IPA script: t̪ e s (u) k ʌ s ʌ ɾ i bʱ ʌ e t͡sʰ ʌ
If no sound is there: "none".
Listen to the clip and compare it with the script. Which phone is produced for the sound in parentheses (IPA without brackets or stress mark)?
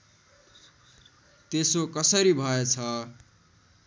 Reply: o